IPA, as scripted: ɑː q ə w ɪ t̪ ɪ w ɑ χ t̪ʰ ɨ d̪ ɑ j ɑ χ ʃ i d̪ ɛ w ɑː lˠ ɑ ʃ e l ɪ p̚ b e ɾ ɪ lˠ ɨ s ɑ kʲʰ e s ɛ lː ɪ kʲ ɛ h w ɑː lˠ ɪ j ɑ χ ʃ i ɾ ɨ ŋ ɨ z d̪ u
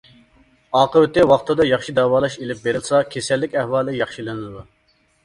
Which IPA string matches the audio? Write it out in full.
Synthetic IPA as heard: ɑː q ə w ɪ t̪ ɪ w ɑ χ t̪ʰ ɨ d̪ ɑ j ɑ χ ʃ i d̪ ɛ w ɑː lˠ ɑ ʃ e l ɪ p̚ b e ɾ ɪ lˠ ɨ s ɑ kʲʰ e s ɛ lː ɪ kʲ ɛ h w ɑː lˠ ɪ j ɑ χ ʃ i l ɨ n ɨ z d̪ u